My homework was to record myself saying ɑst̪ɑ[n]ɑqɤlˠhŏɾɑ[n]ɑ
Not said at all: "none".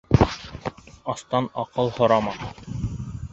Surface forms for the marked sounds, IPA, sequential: n, m

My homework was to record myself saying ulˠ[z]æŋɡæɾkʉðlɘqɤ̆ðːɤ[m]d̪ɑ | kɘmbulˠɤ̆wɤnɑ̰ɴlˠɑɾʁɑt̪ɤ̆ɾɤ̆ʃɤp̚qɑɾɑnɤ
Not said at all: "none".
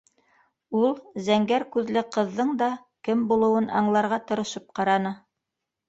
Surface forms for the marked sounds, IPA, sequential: z, ɴ

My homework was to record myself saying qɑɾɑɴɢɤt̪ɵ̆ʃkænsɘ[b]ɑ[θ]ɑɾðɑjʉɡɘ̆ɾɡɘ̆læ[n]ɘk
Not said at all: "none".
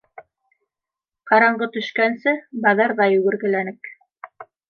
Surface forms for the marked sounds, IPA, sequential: b, ð, n

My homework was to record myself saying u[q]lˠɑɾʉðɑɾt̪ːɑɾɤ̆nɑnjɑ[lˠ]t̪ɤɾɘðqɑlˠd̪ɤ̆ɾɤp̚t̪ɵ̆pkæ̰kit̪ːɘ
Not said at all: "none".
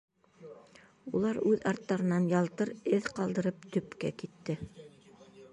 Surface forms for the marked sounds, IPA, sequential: none, lˠ

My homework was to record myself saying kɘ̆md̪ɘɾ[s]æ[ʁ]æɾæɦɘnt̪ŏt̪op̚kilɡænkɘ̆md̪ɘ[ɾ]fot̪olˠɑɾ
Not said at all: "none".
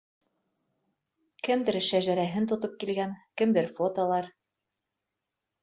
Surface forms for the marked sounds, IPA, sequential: ʃ, ʒ, ɾ

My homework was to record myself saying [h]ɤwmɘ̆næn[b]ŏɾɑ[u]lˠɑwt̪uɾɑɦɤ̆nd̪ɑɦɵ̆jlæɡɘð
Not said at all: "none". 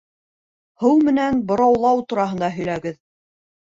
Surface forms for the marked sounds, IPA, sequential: h, b, w

